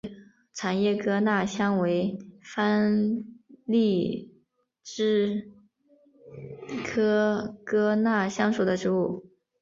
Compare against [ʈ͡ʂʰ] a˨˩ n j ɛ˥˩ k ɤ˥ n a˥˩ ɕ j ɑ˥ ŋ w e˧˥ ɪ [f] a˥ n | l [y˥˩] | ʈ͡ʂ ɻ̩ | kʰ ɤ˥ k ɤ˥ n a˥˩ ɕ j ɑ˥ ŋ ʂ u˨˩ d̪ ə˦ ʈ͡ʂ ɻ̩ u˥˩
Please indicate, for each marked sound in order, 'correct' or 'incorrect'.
correct, correct, incorrect: i˥˩

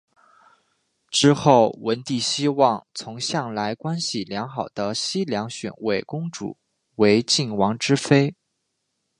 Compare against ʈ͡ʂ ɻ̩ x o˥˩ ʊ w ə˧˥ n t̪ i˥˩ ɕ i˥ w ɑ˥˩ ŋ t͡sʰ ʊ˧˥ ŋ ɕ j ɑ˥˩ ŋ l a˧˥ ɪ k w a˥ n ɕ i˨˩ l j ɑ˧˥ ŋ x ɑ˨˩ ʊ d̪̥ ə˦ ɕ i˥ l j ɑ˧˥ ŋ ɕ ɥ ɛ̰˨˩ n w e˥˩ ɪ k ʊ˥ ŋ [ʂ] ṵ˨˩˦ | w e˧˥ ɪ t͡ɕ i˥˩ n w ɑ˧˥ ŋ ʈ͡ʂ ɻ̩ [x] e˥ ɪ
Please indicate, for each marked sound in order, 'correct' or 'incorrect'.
incorrect: ʈ͡ʂ, incorrect: f

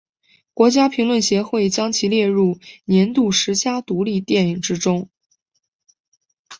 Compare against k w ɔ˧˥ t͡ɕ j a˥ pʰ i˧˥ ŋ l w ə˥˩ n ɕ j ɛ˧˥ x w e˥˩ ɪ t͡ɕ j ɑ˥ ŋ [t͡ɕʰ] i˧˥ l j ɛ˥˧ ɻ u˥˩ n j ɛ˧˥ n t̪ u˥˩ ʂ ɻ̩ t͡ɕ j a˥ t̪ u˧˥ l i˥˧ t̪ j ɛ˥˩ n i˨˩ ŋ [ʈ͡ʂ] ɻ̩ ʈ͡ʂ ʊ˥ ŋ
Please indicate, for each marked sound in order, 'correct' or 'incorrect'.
correct, correct

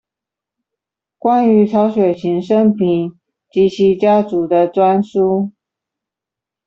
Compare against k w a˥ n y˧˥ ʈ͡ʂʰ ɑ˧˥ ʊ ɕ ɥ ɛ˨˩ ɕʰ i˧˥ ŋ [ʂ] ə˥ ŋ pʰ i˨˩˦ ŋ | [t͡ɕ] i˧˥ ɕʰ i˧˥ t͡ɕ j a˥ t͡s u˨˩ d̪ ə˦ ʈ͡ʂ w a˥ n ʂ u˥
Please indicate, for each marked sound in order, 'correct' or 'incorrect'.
correct, correct

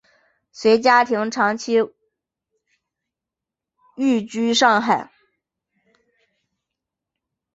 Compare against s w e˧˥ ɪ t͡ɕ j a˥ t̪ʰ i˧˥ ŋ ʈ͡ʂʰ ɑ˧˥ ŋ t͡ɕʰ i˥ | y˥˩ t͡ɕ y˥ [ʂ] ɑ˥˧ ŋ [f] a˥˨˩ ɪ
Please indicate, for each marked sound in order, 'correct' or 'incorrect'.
correct, incorrect: x

